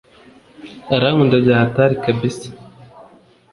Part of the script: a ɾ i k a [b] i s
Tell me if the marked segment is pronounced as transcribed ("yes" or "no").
yes